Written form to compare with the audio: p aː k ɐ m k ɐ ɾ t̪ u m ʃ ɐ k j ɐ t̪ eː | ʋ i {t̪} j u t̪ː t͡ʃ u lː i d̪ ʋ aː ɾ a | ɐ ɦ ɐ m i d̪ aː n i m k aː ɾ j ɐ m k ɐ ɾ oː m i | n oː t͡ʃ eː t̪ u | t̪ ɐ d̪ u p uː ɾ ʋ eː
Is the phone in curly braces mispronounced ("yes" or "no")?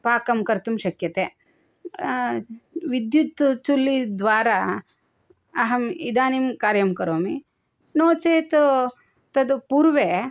yes